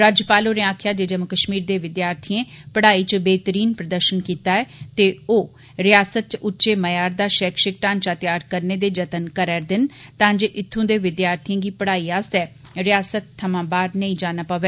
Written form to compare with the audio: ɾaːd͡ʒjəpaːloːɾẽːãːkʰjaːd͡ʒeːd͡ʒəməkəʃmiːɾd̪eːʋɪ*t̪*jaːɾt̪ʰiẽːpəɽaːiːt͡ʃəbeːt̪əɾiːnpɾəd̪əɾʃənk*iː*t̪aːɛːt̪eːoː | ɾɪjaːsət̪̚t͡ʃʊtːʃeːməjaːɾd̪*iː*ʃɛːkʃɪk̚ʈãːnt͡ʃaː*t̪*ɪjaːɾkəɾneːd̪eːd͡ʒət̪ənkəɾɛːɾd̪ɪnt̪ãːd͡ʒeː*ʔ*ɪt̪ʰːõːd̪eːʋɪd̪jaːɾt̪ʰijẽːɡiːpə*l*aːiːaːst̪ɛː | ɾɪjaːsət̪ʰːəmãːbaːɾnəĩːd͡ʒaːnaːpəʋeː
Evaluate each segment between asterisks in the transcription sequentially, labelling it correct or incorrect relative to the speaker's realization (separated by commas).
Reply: incorrect, correct, incorrect, correct, correct, incorrect